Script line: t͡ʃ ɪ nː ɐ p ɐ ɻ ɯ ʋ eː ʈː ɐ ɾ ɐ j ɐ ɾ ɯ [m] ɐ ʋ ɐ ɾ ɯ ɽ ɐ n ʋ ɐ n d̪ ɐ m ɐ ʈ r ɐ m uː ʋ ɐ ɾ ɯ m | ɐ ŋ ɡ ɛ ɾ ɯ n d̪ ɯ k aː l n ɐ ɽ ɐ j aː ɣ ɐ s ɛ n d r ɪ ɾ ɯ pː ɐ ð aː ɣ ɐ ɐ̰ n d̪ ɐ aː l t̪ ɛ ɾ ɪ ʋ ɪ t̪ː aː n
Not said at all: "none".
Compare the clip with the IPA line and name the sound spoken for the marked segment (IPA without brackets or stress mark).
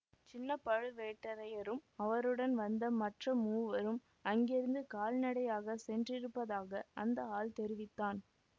m